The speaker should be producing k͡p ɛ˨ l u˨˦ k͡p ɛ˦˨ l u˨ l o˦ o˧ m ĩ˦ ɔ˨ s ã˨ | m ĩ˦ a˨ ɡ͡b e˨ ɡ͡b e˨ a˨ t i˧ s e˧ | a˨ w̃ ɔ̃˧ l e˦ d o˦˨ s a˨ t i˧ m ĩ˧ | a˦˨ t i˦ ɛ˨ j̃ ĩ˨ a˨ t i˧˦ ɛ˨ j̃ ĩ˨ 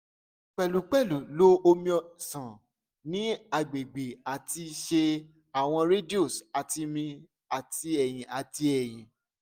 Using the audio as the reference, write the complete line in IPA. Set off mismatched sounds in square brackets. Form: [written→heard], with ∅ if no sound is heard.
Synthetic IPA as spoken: k͡p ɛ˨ l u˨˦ k͡p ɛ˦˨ l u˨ l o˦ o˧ m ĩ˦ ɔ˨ s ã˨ | [m→n] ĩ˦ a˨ ɡ͡b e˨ ɡ͡b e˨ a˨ t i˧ [s→ʃ] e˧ | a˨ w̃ ɔ̃˧ [l→ɾ] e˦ d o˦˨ s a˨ t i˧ m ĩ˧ | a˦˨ t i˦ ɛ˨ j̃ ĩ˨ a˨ t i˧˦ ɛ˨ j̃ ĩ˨